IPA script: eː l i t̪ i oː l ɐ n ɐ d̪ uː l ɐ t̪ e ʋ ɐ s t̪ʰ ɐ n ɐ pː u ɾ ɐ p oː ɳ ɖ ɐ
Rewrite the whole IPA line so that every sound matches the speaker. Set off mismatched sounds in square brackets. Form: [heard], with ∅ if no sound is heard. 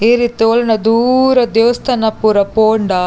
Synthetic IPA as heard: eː [ɾ] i t̪ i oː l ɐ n ɐ d̪ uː [ɾ] ɐ [d̪] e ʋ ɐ s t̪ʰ ɐ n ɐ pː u ɾ ɐ p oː ɳ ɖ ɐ